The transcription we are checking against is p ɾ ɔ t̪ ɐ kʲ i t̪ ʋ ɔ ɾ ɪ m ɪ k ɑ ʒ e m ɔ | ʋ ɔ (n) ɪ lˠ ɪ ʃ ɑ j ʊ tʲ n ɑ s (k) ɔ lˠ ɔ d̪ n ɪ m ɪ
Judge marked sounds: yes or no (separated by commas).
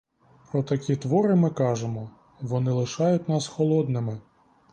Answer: yes, no